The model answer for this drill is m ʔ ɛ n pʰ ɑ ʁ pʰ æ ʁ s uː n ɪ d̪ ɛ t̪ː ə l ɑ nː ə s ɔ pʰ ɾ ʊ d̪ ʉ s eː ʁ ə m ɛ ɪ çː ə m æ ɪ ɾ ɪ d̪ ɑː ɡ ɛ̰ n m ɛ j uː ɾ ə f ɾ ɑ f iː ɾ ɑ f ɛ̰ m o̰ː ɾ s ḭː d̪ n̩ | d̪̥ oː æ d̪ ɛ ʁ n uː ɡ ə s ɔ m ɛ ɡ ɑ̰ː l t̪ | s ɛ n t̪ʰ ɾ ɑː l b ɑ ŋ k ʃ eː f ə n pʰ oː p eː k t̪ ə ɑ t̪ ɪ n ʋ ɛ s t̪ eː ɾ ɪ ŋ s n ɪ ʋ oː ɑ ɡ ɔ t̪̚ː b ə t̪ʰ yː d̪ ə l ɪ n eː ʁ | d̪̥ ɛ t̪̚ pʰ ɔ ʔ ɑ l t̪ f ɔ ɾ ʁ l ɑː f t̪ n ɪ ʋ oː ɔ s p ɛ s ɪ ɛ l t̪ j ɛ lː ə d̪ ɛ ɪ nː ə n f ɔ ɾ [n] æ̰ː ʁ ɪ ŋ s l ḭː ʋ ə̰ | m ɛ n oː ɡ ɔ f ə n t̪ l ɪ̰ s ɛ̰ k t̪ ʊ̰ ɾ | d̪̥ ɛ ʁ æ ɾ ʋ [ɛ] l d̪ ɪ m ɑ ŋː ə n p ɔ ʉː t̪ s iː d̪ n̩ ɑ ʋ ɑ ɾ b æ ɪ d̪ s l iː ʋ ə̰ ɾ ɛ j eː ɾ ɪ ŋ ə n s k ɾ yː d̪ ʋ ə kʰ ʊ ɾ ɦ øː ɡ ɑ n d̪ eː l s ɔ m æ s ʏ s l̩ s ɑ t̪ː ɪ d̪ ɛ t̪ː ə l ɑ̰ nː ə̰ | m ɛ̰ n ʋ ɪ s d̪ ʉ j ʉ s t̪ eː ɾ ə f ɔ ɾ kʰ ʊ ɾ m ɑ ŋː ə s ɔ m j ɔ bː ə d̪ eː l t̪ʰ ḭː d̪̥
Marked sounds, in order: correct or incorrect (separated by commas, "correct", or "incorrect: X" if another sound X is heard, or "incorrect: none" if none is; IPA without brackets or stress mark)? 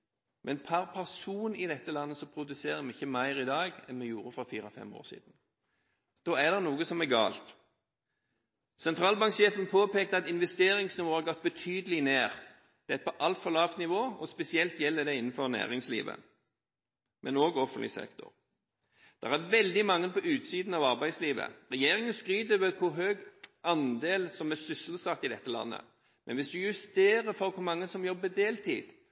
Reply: correct, correct